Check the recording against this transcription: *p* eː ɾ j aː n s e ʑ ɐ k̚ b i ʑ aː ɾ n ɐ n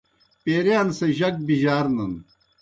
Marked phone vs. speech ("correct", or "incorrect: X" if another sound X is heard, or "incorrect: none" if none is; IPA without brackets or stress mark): correct